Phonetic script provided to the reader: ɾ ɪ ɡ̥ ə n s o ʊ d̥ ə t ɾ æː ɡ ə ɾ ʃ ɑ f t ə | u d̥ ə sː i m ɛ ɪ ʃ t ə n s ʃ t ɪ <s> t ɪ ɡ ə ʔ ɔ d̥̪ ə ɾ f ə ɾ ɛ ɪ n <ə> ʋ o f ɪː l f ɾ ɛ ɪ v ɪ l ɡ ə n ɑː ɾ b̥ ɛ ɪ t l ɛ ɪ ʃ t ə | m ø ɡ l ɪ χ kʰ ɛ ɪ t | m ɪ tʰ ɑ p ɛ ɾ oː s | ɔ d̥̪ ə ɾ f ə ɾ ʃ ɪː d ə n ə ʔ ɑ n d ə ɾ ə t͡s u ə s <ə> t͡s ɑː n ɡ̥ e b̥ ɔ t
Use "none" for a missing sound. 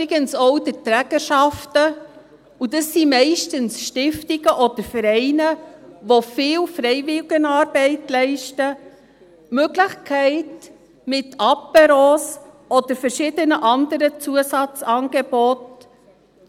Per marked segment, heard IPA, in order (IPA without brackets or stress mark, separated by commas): f, ə, ɑ